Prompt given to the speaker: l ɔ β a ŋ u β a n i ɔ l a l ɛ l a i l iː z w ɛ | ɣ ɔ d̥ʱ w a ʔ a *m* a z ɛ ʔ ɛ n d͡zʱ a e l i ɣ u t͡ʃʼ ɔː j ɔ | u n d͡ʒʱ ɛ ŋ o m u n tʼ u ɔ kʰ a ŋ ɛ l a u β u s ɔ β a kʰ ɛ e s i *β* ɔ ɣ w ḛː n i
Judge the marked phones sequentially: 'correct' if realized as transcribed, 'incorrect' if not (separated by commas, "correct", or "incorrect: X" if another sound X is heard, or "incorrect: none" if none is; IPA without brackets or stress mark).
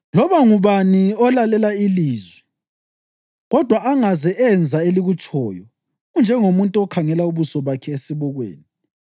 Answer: incorrect: ŋ, correct